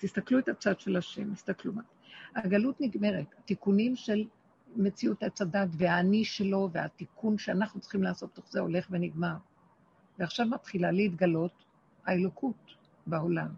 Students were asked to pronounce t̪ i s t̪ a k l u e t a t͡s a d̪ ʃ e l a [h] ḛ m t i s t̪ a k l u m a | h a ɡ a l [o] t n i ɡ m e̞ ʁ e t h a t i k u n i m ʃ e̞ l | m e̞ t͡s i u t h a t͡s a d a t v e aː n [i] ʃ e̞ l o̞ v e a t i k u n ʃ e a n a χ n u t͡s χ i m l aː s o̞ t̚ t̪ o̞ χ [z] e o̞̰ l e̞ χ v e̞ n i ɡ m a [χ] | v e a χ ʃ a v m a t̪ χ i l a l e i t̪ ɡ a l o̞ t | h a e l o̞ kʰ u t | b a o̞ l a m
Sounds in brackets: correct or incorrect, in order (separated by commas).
incorrect, incorrect, correct, correct, incorrect